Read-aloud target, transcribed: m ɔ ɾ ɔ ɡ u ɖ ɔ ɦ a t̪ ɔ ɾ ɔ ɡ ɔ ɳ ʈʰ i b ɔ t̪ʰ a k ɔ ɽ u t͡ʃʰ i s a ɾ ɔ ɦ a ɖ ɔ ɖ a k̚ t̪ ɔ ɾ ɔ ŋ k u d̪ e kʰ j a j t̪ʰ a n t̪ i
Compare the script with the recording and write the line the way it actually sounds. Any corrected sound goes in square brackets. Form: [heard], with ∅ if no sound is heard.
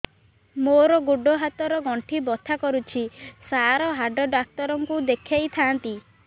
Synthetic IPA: m [o] ɾ ɔ ɡ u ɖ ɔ ɦ a t̪ ɔ ɾ ɔ ɡ ɔ ɳ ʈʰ i b ɔ t̪ʰ a k ɔ [ɾ] u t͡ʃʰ i s a ɾ ɔ ɦ a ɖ ɔ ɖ a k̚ t̪ ɔ ɾ ɔ ŋ k u d̪ e kʰ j a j t̪ʰ a n t̪ i

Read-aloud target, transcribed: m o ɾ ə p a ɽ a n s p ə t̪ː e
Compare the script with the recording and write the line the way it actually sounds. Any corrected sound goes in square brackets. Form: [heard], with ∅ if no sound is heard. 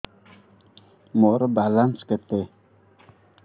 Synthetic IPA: m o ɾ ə [b] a [l] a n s [k] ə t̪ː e

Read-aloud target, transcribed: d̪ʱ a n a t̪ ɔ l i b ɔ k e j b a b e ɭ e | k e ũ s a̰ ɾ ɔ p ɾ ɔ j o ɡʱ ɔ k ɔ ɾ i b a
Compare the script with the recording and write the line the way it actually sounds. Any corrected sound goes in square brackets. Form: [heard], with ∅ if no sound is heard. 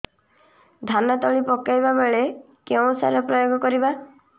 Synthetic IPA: d̪ʱ a n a t̪ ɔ [ɭ] i [p] ɔ k [a] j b a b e ɭ e | k e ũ s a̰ ɾ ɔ p ɾ ɔ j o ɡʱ ɔ k ɔ ɾ i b a

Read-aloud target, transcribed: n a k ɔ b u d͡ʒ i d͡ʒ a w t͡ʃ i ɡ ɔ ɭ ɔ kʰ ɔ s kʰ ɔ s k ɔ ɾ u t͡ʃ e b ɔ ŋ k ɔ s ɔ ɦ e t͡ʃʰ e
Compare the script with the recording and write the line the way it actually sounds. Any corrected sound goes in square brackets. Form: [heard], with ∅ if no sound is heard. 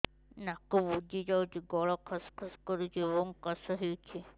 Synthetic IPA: n a k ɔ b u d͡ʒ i d͡ʒ a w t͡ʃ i ɡ ɔ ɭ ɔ kʰ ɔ s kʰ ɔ s k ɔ ɾ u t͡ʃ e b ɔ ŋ k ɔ s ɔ ɦ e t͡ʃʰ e

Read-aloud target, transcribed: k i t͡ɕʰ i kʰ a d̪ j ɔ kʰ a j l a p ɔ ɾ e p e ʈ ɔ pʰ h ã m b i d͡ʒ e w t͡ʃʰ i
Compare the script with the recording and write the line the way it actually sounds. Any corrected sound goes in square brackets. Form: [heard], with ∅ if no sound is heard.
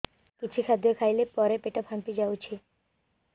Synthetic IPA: k i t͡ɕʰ i kʰ a d̪ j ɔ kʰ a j l [e] p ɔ ɾ e p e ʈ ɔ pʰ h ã m [p] i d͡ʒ [a] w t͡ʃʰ i

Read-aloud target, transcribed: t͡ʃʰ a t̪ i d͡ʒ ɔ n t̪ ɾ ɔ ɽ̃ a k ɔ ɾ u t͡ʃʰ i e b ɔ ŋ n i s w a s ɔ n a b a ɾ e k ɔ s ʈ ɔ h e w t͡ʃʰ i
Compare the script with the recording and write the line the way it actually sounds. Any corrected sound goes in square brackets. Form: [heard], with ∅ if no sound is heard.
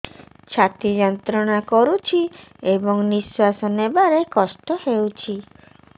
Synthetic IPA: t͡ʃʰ a t̪ i d͡ʒ ɔ n t̪ ɾ ɔ ɽ̃ a k ɔ ɾ u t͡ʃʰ i e b ɔ ŋ n i s w a s ɔ n [e] b a ɾ e k ɔ s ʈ ɔ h e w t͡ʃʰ i

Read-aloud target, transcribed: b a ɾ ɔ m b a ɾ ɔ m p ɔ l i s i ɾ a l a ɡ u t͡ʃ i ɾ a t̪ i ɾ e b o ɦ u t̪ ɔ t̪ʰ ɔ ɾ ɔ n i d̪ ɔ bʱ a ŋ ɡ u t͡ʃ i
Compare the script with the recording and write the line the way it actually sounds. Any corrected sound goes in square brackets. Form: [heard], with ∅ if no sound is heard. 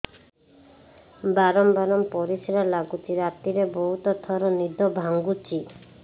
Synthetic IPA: b a ɾ ɔ m b a ɾ ɔ m p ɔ [ɾ] i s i ɾ a l a ɡ u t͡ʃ i ɾ a t̪ i ɾ e b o ɦ u t̪ ɔ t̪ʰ ɔ ɾ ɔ n i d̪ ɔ bʱ a ŋ ɡ u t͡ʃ i

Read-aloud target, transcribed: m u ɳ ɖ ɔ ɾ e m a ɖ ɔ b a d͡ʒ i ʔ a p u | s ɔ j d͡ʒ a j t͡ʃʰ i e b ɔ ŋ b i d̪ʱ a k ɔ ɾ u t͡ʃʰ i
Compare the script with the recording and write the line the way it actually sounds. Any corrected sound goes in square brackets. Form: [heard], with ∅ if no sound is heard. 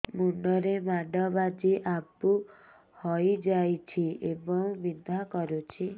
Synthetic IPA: m u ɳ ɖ ɔ ɾ e m a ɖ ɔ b a d͡ʒ i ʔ a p u | [h] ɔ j d͡ʒ a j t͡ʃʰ i e b ɔ ŋ b i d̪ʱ a k ɔ ɾ u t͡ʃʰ i

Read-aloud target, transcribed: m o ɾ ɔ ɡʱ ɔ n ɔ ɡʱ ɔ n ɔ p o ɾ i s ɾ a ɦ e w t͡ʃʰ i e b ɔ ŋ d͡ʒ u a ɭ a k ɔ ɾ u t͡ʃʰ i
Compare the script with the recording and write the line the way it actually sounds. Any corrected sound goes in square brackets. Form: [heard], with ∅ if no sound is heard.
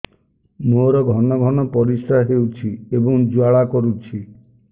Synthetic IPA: m o ɾ ɔ ɡʱ ɔ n ɔ ɡʱ ɔ n ɔ p [ɔ] ɾ i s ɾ a ɦ e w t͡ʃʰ i e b ɔ ŋ d͡ʒ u a ɭ a k ɔ ɾ u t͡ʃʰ i

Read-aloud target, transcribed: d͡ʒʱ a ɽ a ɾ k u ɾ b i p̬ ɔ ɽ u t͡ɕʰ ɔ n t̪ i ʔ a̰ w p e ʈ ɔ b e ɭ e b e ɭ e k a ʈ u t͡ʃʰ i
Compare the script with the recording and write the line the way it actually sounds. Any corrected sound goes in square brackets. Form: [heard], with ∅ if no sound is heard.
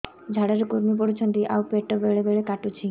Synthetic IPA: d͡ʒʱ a ɽ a ɾ k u ɾ [m] i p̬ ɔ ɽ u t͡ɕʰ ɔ n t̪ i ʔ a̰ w p e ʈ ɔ b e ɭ e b e ɭ e k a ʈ u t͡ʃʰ i

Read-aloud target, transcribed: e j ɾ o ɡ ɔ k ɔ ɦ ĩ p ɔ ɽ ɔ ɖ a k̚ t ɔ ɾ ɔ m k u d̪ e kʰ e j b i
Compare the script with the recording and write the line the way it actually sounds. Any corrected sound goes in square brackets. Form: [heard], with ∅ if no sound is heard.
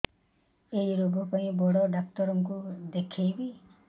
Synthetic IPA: e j ɾ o ɡ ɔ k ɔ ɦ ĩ [b] ɔ ɽ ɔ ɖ a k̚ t ɔ ɾ ɔ [ŋ] k u d̪ e kʰ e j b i

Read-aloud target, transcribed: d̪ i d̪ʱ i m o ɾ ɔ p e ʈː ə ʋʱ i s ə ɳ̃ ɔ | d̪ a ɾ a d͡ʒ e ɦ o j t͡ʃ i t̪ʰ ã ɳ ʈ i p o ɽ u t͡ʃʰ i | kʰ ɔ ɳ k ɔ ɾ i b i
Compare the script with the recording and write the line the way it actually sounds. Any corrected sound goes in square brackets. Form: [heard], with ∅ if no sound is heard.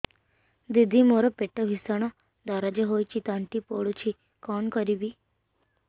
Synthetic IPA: d̪ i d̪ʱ i m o ɾ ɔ p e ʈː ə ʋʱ i s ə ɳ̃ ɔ | d̪ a ɾ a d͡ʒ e ɦ o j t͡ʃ i [t̪] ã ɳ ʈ i p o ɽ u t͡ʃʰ i | [k] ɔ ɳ k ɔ ɾ i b i

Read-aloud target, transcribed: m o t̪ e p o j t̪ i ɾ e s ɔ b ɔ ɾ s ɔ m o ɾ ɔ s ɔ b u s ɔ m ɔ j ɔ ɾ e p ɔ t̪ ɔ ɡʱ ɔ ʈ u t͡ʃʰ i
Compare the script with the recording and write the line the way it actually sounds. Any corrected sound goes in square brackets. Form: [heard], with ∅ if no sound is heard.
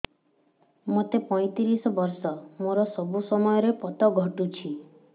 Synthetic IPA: m o t̪ e p [ɔ] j t̪ i ɾ [i] s ɔ b ɔ ɾ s ɔ m o ɾ ɔ s ɔ b u s ɔ m ɔ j ɔ ɾ e p ɔ t̪ ɔ ɡʱ ɔ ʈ u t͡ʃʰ i

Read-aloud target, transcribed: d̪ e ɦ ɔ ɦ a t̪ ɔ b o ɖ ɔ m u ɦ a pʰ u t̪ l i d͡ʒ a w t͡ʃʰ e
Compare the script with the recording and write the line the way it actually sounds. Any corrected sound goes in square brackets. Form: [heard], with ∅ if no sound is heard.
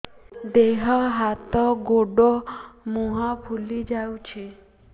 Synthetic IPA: d̪ e ɦ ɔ ɦ a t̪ ɔ [ɡ] o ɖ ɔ m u ɦ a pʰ u [∅] l i d͡ʒ a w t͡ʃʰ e

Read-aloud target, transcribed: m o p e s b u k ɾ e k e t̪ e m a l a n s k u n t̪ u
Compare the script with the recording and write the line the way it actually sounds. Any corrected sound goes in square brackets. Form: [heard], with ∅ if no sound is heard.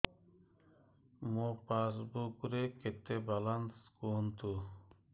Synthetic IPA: m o p [a] s b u k ɾ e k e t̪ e [b] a l a n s k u n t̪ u

